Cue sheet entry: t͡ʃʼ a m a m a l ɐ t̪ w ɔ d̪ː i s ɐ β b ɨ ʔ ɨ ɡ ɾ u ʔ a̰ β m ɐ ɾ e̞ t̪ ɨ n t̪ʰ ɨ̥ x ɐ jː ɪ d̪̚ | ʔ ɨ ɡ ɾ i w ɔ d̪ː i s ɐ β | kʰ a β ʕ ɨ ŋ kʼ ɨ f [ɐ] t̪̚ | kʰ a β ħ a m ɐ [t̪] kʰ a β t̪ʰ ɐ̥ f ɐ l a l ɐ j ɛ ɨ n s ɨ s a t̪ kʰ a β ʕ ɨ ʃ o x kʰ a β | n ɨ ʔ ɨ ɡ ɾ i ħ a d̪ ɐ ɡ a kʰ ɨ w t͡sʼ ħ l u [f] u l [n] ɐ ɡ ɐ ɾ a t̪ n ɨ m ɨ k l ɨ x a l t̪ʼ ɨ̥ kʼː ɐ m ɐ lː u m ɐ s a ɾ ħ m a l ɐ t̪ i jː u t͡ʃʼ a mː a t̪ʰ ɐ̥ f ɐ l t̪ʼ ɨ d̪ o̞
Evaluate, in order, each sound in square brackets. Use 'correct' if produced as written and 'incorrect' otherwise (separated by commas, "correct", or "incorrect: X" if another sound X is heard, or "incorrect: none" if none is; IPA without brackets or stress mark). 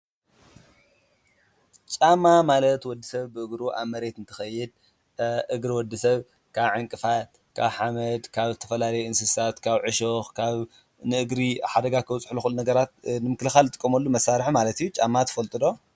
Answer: incorrect: a, incorrect: d̪, incorrect: x, correct